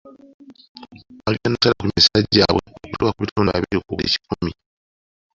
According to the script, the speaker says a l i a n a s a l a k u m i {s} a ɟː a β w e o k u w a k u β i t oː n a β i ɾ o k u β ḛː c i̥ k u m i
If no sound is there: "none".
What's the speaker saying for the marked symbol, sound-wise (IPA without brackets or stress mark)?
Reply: s